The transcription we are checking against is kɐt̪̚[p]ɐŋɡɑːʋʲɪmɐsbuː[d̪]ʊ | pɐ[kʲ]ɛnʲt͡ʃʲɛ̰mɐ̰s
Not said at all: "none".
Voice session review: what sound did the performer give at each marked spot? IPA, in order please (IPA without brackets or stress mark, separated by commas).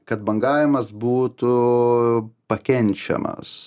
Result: b, t̪, kʲ